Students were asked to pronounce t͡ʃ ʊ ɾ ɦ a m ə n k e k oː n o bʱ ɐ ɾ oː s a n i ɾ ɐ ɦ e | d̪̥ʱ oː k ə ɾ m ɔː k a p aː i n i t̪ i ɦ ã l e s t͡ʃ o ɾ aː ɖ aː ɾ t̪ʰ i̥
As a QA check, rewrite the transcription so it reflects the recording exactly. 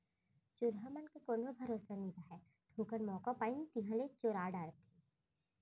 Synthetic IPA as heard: t͡ʃ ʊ ɾ ɦ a m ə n k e k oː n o bʱ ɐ ɾ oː s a n i ɾ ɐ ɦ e | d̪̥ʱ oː k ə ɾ m ɔː k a p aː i n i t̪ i ɦ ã l e t͡ʃ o ɾ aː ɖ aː ɾ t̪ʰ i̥